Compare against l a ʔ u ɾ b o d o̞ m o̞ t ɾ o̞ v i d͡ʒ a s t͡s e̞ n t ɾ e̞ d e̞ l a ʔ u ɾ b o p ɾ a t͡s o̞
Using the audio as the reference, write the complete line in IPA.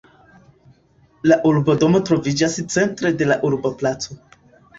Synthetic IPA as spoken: l a ʔ u ɾ b o d o̞ m o̞ t ɾ o̞ v i d͡ʒ a s t͡s e̞ n t ɾ e̞ d e̞ l a ʔ u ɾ b o p l a t͡s o̞